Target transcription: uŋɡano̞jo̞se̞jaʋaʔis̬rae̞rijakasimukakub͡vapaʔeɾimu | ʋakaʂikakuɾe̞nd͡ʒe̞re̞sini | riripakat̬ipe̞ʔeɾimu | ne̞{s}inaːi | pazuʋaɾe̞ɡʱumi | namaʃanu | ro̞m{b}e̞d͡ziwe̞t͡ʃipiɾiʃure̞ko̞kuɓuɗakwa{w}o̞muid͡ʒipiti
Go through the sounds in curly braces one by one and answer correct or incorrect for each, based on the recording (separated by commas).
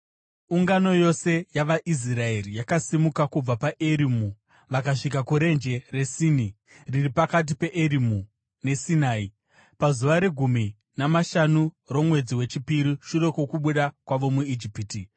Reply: correct, incorrect, incorrect